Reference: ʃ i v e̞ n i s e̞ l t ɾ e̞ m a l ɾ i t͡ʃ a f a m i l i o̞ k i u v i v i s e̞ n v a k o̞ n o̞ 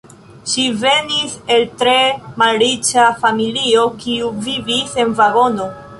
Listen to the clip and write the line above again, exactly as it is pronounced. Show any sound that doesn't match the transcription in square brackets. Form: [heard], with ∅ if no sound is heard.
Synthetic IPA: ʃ i v e̞ n i s e̞ l t ɾ e̞ m a l ɾ i t͡ʃ a f a m i l i o̞ k i u v i v i s e̞ n v a [ɡ] o̞ n o̞

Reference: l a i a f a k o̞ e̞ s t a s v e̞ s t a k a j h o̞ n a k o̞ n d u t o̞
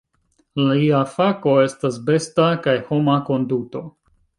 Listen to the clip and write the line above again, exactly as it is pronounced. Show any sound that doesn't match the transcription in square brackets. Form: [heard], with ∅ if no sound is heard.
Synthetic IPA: l a i a f a k o̞ e̞ s t a s [b] e̞ s t a k a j h o̞ [m] a k o̞ n d u t o̞

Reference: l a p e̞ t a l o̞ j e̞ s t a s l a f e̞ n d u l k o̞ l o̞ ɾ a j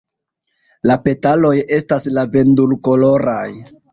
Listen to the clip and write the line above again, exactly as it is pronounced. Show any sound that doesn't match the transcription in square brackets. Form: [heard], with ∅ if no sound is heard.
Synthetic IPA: l a p e̞ t a l o̞ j e̞ s t a s l a [v] e̞ n d u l k o̞ l o̞ ɾ a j

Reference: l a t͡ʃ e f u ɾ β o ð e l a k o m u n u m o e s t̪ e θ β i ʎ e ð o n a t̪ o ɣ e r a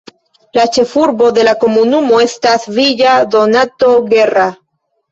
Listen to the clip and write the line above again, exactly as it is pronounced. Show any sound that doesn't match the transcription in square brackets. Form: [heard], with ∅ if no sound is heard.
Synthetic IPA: l a t͡ʃ e f u ɾ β o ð e l a k o m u n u m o e s t̪ [a] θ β i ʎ [a] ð o n a t̪ o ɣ e r a

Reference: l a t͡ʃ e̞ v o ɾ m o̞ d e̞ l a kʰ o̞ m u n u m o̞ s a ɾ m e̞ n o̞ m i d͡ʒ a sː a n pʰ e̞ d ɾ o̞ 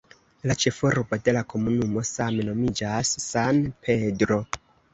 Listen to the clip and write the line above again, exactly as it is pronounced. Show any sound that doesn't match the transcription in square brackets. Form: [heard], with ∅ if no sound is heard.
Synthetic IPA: l a t͡ʃ e̞ [f] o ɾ [b] o̞ d e̞ l a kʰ o̞ m u n u m o̞ s a [∅] m e̞ n o̞ m i d͡ʒ a sː a n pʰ e̞ d ɾ o̞

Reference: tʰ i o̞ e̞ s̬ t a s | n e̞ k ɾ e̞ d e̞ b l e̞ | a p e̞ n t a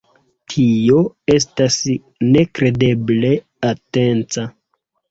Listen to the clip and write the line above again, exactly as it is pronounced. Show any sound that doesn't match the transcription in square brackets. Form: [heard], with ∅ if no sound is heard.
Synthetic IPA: tʰ i o̞ e̞ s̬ t a s | n e̞ k ɾ e̞ d e̞ b l e̞ | a [t] e̞ n [t͡s] a

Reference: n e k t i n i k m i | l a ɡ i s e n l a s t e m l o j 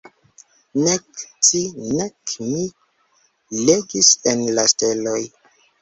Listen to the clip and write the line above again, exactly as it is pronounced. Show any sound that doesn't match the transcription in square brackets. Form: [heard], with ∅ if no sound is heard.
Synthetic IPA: n e k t i n [e] k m i | l [e] ɡ i s e n l a s t e [∅] l o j

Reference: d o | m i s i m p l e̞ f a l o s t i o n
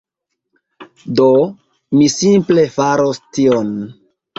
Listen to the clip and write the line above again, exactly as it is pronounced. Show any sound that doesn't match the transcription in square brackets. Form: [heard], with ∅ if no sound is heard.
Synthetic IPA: d o | m i s i m p l e̞ f a [ɾ] o s t i o n

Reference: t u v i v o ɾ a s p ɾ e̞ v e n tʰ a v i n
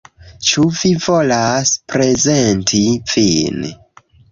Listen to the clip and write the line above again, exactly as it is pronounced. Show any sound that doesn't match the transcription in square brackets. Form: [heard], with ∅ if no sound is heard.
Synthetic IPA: [t͡ʃ] u v i v o [l] a s p ɾ e̞ [z] e n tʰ [i] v i n

